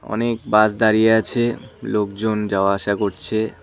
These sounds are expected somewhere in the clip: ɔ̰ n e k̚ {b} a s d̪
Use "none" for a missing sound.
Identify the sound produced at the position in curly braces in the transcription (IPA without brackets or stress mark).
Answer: b